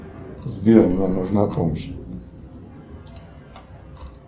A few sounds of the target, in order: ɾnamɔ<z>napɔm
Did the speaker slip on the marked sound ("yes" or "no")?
yes